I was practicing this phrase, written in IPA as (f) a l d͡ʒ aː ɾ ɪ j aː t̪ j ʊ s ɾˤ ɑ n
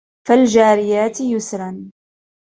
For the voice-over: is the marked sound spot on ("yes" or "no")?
yes